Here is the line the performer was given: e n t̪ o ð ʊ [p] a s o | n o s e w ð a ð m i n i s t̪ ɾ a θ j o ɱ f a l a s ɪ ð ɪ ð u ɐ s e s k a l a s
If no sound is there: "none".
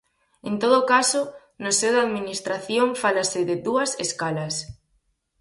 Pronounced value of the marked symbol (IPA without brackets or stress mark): k